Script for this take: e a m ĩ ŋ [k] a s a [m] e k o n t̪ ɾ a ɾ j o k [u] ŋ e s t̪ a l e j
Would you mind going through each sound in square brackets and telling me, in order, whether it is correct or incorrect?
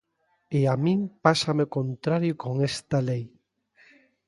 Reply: incorrect, correct, incorrect

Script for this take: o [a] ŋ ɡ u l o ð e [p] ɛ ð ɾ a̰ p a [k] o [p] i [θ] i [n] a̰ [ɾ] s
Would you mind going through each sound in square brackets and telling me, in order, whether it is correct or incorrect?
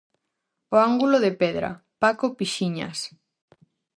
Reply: correct, correct, correct, correct, incorrect, incorrect, incorrect

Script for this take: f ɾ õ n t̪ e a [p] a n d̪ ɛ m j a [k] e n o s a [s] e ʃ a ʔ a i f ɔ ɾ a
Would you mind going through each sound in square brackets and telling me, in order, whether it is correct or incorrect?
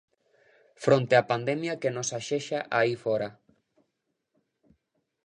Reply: correct, correct, incorrect

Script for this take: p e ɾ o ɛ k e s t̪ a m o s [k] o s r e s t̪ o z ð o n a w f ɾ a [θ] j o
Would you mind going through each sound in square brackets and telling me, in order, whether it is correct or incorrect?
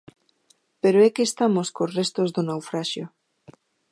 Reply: correct, incorrect

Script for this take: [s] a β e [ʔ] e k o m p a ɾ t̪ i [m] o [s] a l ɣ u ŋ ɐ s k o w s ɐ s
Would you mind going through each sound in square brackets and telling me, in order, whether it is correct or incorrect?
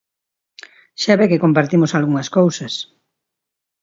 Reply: incorrect, incorrect, correct, correct

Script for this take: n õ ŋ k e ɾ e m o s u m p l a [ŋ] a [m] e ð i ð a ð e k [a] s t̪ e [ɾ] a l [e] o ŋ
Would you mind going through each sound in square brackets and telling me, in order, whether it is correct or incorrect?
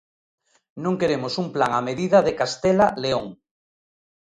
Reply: correct, correct, correct, incorrect, correct

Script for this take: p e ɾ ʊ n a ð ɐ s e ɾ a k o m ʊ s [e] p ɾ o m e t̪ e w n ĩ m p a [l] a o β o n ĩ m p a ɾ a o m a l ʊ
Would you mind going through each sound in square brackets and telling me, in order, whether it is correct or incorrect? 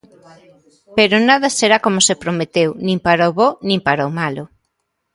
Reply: correct, incorrect

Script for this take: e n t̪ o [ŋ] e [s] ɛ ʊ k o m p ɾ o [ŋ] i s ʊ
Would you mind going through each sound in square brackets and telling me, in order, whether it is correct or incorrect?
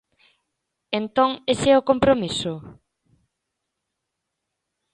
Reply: correct, correct, incorrect

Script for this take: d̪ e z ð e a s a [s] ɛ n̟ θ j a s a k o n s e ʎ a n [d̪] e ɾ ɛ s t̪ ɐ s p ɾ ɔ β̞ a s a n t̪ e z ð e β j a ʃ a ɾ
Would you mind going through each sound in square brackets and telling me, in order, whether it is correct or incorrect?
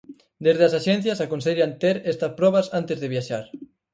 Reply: incorrect, incorrect

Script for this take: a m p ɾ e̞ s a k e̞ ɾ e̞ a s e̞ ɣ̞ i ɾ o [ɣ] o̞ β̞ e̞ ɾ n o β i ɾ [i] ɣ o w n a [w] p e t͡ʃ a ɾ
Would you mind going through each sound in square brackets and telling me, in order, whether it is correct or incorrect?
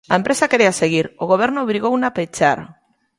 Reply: correct, correct, incorrect

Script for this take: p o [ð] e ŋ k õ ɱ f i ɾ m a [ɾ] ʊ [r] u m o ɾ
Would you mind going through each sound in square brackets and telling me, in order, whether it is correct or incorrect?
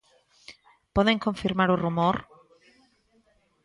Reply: correct, correct, correct

